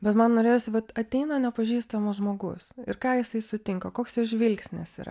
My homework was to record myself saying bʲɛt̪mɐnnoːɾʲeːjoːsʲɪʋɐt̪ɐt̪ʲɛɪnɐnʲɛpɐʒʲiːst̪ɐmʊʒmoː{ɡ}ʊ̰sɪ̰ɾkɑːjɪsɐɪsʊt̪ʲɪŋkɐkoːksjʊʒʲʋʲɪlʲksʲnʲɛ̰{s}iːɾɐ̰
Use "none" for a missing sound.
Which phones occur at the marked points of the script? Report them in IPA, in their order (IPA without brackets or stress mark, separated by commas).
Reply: ɡ, s